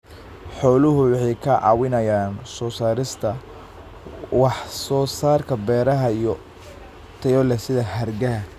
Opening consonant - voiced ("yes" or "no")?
no